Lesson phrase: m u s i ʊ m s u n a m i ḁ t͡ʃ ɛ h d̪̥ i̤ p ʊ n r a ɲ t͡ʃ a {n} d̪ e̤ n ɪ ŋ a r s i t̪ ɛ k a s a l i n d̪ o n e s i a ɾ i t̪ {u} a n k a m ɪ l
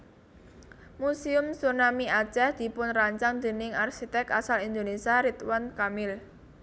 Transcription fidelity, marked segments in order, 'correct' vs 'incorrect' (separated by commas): incorrect, incorrect